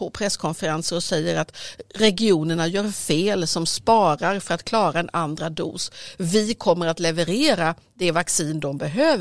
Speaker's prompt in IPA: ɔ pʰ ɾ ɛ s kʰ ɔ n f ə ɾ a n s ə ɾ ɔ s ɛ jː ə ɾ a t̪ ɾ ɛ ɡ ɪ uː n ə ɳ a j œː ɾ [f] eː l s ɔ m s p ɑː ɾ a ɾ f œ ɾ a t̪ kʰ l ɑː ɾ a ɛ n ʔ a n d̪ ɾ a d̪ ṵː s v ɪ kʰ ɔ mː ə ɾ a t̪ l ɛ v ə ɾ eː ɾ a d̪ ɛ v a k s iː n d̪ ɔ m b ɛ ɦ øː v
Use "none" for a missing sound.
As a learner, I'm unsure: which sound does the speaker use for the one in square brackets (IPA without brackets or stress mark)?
f